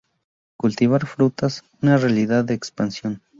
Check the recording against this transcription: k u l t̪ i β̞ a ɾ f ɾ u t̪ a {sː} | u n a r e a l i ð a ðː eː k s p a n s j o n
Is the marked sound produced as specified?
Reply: no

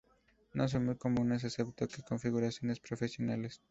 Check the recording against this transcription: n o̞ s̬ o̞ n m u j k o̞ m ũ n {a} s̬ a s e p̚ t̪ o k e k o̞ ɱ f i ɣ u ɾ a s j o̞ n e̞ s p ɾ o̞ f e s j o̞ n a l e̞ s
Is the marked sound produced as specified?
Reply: no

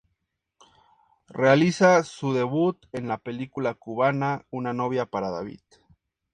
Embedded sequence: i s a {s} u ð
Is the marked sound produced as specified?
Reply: yes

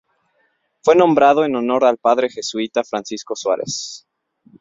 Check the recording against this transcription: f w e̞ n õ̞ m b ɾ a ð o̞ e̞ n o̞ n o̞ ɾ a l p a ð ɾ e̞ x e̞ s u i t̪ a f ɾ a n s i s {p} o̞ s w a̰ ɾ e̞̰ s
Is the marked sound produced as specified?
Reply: no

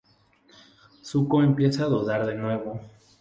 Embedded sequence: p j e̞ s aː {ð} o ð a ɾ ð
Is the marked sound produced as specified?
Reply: yes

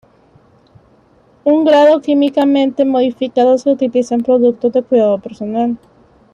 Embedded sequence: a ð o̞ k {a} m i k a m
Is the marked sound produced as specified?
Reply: no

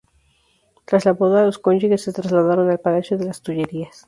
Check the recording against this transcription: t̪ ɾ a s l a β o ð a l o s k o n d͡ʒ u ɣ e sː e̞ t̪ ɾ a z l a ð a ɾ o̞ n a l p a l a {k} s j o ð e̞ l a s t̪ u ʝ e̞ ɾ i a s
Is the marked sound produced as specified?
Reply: no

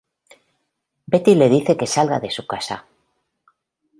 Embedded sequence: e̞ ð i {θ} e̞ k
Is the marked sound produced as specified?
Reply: yes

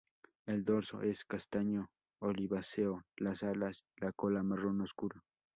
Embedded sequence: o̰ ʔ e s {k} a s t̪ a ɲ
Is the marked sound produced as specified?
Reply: yes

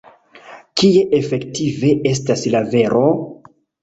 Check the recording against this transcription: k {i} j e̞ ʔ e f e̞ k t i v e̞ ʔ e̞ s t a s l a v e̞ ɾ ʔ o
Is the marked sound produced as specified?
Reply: yes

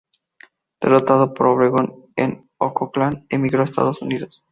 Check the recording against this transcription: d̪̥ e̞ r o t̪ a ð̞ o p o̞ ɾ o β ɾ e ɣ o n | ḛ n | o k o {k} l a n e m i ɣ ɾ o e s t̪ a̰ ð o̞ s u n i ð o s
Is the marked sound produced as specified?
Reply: yes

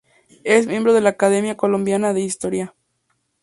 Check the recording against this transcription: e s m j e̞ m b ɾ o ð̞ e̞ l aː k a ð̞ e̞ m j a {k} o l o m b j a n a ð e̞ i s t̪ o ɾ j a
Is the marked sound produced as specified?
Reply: yes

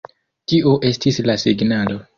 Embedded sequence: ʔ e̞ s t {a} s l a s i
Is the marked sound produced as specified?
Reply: no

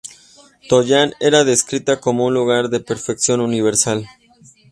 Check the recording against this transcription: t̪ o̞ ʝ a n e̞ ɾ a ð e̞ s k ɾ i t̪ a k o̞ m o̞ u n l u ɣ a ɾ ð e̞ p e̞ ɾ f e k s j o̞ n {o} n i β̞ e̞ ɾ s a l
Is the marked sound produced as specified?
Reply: no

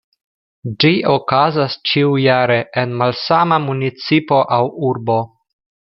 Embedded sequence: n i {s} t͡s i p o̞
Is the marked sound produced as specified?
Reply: no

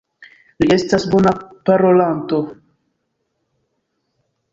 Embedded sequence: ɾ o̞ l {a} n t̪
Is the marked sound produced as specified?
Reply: yes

